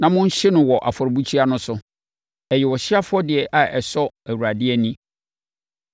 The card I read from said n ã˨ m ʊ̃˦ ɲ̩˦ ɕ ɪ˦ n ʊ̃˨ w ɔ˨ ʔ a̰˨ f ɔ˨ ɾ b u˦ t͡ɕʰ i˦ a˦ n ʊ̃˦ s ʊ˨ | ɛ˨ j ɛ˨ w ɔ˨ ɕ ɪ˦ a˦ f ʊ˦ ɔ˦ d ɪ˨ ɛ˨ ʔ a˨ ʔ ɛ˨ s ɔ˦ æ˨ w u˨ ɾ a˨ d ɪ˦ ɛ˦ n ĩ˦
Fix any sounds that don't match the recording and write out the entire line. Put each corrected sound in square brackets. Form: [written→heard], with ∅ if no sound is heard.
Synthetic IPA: n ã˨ m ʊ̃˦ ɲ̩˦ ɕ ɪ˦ n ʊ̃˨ w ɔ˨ ʔ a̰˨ f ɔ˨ ɾ b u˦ t͡ɕʰ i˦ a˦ n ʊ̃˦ s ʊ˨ | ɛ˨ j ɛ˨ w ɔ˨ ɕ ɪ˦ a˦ f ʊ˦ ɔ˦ d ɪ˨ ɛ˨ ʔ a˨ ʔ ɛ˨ s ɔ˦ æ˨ w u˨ ɾ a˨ d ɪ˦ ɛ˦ n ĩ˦

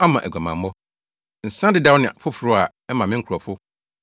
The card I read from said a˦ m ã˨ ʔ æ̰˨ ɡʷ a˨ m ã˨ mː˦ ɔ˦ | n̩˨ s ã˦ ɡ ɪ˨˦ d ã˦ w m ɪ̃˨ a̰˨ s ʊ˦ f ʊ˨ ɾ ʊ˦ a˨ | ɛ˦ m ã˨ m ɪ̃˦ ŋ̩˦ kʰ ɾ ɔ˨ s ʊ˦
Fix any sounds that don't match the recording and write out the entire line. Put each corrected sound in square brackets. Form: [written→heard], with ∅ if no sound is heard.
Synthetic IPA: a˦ m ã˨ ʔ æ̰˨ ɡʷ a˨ m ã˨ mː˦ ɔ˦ | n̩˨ s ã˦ [ɡ→d] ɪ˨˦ d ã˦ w [m→n] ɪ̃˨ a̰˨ [s→f] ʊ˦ f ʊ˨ ɾ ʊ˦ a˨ | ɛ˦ m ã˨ m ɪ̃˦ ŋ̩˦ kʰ ɾ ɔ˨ [s→f] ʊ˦

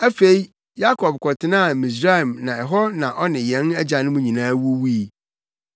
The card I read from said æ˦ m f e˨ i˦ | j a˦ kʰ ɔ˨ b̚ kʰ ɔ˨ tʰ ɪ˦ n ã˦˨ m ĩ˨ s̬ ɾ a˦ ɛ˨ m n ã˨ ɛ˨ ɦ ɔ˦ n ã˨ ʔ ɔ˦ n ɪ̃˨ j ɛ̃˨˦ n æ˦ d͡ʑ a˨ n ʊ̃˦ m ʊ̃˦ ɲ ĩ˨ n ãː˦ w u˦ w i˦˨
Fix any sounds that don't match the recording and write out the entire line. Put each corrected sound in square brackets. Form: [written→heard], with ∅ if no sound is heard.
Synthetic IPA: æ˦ [m→∅] f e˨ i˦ | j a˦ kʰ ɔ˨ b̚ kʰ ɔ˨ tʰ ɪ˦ n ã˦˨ m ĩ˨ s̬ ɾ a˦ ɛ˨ m n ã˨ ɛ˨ ɦ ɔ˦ n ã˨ ʔ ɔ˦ n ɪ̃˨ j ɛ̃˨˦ n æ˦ d͡ʑ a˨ n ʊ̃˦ m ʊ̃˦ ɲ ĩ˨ n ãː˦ w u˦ w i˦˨

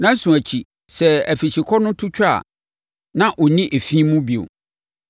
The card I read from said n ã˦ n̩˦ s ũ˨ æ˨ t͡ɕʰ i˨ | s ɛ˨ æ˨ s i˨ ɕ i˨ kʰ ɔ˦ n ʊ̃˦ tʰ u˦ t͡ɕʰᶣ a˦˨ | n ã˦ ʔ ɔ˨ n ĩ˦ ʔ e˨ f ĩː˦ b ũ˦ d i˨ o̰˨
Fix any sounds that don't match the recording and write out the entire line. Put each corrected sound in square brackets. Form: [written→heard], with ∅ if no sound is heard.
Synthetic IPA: n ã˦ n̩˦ s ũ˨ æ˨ t͡ɕʰ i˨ | s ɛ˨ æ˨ [s→f] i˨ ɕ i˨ kʰ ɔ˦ n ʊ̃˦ tʰ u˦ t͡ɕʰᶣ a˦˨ | n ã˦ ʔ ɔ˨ n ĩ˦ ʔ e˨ f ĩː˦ [b→m] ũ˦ [d→b] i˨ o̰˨

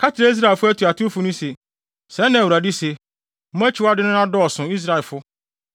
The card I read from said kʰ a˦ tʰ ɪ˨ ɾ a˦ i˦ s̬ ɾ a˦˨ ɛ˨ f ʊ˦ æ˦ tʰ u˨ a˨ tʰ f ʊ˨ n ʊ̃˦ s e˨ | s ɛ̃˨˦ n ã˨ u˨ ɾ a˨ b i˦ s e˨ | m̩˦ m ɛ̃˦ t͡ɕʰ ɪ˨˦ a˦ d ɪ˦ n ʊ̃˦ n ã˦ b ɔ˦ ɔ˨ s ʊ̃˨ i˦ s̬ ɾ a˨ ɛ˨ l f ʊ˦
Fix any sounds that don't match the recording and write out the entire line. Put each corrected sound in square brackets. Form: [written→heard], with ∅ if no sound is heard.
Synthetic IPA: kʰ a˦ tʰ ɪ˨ ɾ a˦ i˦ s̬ ɾ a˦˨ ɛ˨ f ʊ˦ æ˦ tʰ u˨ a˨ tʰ f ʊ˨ n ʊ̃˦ s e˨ | s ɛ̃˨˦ n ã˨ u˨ ɾ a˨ [b→d] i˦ s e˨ | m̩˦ m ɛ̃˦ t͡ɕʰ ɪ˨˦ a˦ d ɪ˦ n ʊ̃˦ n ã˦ [b→d] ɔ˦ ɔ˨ s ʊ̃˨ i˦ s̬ ɾ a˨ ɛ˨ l f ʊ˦

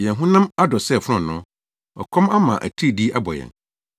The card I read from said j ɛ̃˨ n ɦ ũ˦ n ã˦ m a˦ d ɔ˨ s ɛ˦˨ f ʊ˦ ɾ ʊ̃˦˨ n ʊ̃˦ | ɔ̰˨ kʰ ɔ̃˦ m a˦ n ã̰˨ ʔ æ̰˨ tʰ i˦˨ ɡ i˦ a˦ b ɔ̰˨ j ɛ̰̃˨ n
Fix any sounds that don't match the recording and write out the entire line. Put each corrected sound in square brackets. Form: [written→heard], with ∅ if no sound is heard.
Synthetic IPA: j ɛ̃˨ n ɦ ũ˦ n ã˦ m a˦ d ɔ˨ s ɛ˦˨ f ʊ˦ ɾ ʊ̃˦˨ n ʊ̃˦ | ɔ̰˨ kʰ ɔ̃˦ m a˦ [n→m] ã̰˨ ʔ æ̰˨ tʰ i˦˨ [ɡ→d] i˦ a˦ b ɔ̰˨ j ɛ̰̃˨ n

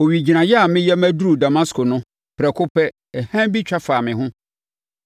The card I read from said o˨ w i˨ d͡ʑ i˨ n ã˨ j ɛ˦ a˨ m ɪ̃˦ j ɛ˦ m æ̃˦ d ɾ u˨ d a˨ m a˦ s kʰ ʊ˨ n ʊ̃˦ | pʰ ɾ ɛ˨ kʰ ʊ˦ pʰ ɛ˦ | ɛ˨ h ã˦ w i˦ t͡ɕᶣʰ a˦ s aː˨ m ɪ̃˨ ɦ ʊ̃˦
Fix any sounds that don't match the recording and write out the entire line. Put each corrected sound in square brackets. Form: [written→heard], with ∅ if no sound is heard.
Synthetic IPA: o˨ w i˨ d͡ʑ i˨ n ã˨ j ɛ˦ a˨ m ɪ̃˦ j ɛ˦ m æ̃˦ d ɾ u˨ d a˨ m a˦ s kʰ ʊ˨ n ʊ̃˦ | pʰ ɾ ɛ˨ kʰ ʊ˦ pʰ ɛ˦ | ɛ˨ h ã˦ [w→b] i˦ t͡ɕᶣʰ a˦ [s→f] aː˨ m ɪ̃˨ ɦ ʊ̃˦

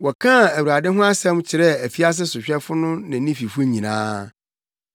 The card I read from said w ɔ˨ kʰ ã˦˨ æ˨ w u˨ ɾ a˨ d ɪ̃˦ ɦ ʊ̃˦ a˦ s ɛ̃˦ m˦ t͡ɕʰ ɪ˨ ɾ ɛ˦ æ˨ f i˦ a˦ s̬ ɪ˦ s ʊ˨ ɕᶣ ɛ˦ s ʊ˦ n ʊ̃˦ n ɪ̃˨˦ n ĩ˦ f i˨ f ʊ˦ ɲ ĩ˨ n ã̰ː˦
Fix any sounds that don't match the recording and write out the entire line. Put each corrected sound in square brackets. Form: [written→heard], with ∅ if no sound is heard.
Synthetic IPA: w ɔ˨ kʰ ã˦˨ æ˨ w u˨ ɾ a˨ d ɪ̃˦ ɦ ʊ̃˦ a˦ s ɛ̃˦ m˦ t͡ɕʰ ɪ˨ ɾ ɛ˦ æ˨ f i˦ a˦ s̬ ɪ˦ s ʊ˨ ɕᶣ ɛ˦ [s→f] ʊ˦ n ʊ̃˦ n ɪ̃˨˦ n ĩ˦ f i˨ f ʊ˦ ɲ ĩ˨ n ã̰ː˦

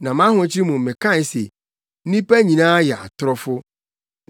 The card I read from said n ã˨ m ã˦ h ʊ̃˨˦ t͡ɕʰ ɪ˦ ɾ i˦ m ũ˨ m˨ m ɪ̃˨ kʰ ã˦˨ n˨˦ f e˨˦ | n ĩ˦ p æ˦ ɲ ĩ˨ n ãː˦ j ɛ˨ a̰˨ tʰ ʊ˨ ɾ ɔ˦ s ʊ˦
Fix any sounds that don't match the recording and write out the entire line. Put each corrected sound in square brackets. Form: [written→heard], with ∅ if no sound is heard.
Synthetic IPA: n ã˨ m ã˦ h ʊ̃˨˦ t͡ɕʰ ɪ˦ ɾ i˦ m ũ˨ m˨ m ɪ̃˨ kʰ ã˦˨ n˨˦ [f→s] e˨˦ | n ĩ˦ p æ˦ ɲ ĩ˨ n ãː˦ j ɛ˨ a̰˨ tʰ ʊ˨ ɾ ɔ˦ [s→f] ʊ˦

